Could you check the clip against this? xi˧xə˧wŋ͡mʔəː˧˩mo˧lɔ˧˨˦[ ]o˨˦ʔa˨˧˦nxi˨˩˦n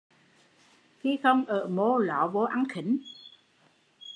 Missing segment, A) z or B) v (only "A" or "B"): B